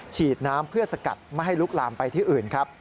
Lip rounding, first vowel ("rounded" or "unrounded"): unrounded